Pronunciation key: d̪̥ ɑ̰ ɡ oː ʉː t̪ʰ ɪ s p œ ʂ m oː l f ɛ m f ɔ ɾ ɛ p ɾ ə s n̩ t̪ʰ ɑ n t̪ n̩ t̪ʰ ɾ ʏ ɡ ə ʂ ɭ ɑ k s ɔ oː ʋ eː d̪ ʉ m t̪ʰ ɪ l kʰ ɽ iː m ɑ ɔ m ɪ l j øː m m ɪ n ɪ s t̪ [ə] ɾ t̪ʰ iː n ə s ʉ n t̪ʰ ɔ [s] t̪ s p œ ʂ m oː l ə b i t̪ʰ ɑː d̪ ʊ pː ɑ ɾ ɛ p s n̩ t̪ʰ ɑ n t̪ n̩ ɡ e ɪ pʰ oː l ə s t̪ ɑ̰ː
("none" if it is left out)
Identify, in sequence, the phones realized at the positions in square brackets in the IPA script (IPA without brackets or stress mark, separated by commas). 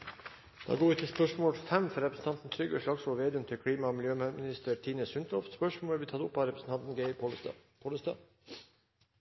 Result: ə, f